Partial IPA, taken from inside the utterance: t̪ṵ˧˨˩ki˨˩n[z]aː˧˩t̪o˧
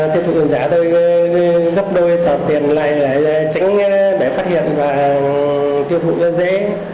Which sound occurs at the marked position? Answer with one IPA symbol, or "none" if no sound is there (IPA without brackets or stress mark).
z